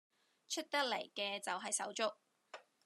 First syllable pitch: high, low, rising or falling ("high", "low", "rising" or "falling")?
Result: high